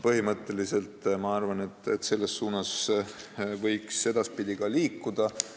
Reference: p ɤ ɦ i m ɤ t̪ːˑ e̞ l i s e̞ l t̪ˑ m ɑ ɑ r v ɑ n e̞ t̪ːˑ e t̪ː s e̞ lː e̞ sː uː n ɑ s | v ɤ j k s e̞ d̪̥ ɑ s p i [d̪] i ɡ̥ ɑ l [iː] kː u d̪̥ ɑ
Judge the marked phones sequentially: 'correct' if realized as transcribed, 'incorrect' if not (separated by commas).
correct, correct